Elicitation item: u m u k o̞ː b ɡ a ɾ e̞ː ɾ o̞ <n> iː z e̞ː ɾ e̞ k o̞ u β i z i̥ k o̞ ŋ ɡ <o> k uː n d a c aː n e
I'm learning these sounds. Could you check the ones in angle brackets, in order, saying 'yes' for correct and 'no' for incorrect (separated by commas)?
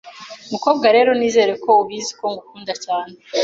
yes, no